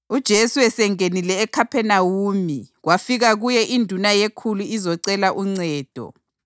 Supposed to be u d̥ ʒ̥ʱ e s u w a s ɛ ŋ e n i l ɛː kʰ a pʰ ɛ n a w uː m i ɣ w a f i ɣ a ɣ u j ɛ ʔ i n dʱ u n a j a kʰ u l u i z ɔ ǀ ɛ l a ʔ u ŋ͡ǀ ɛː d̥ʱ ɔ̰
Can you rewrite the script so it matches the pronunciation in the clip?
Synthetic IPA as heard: u d̥ ʒ̥ʱ e s u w ɛ s ɛ ŋ e n i l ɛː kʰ a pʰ ɛ n a w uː m i ɣ w a f i ɣ a ɣ u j ɛ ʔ i n dʱ u n a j e kʰ u l u i z ɔ ǀ ɛ l a ʔ u ŋ͡ǀ ɛː d̥ʱ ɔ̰